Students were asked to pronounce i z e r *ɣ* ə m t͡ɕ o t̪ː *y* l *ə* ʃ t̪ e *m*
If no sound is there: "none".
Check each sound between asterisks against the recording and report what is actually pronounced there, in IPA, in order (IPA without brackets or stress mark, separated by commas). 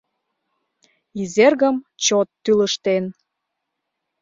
ɣ, y, ə, n